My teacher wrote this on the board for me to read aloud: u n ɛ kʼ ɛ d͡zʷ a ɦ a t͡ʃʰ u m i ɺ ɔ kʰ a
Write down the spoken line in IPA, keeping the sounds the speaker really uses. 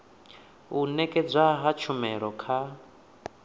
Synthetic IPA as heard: u n ɛ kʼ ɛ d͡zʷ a ɦ a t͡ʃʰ u m ɛ ɺ ɔ kʰ a